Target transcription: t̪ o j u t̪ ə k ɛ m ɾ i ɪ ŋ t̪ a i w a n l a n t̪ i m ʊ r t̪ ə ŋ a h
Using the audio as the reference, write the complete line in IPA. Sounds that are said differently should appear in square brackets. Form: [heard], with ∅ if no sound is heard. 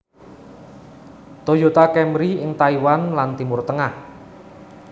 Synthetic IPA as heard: t̪ o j [o] t̪ [a] k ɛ m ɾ i ɪ ŋ t̪ a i w a n l a n t̪ i m ʊ r t̪ ə ŋ a h